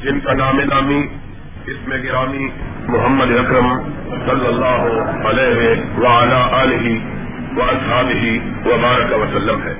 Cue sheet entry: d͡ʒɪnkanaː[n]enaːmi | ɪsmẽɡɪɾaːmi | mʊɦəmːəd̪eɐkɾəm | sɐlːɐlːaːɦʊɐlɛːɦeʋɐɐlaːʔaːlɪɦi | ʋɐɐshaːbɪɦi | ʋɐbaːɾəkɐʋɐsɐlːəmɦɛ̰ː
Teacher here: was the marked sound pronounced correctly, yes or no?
no